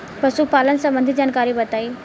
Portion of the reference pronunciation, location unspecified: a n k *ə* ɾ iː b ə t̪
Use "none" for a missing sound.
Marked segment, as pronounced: a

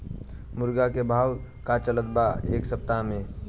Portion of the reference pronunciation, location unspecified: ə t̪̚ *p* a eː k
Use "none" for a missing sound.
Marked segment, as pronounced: b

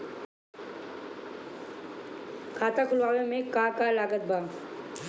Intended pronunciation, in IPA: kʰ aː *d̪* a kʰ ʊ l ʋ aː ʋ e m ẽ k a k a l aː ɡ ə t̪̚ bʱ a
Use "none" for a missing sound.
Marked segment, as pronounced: t̪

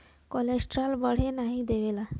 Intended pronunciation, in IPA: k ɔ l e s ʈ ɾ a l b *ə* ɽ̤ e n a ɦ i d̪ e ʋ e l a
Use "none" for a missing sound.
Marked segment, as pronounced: ə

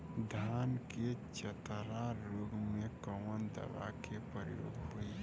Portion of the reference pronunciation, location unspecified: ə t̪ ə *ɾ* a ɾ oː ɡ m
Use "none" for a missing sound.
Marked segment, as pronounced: ɾ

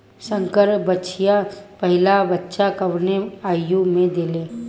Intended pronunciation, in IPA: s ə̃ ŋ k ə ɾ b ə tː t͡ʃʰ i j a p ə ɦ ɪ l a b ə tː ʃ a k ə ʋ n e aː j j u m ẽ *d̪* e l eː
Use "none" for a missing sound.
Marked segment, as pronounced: d̪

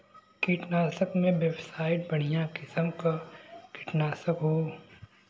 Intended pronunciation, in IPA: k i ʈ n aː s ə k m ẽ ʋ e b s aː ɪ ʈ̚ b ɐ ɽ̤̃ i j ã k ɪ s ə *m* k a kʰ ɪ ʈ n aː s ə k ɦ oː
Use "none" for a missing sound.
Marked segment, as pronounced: m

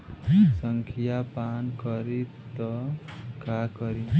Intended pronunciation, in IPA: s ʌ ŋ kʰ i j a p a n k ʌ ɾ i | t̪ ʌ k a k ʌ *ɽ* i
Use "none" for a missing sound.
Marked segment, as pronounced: ɾ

